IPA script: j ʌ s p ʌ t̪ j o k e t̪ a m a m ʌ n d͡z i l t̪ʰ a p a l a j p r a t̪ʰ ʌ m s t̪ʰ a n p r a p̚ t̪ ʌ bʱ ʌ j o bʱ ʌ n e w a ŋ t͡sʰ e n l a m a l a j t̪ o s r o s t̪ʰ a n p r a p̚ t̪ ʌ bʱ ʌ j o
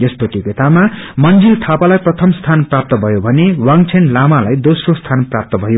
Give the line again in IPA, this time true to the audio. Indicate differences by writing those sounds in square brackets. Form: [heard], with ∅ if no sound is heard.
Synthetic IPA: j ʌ s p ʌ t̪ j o k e t̪ a m a m ʌ n d͡z i l t̪ʰ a p a l a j p r [ʌ] t̪ʰ ʌ m s t̪ʰ a n p r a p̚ t̪ ʌ bʱ ʌ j o bʱ ʌ n e w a ŋ t͡sʰ e n l a m a l a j [d̪] o s r o s t̪ʰ a n p r a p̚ t̪ ʌ bʱ ʌ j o